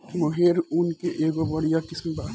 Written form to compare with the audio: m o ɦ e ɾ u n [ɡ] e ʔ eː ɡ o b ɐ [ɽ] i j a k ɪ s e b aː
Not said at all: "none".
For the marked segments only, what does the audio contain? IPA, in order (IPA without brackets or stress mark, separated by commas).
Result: k, ɽ